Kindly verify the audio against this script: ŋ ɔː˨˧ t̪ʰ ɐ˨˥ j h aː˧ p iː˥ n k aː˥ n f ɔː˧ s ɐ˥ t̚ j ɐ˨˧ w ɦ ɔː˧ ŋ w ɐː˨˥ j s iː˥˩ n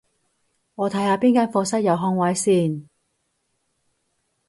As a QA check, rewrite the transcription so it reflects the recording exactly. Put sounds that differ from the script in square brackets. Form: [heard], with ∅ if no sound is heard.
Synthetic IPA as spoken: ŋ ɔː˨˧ t̪ʰ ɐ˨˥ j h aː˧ p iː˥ n k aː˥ n f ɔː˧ s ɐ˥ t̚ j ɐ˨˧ w ɦ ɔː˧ ŋ w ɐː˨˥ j s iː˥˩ n